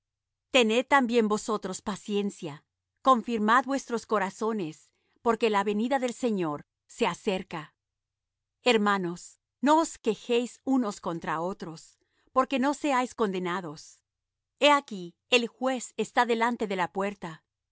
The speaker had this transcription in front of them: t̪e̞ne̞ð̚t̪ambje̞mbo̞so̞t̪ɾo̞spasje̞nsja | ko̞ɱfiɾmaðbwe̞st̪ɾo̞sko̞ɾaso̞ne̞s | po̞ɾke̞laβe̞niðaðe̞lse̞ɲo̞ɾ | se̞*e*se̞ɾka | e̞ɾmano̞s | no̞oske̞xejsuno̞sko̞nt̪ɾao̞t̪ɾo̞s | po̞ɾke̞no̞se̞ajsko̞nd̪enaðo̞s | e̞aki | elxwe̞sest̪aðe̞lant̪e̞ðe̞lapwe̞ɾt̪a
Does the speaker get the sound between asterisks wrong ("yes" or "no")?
yes